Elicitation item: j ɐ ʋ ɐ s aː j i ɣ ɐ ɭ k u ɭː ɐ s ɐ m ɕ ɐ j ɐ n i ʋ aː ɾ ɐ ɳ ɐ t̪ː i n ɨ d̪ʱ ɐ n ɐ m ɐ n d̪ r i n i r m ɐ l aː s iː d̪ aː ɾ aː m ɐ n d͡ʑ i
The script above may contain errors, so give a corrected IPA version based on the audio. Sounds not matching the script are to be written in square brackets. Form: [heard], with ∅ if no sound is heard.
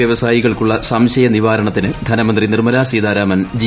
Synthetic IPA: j ɐ ʋ ɐ s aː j i ɣ ɐ ɭ k u ɭː ɐ s ɐ m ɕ ɐ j ɐ n i ʋ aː ɾ ɐ ɳ ɐ t̪ː i n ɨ d̪ʱ ɐ n ɐ m ɐ n d̪ r i n i r m ɐ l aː s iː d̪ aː ɾ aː m ɐ n d͡ʑ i